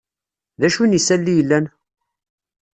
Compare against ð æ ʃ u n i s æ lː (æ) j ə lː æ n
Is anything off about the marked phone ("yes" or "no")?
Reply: yes